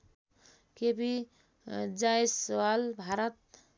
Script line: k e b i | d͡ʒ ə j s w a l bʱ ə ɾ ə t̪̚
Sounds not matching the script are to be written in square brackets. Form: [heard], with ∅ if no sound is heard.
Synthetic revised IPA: k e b i | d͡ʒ [a] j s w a l bʱ [a] ɾ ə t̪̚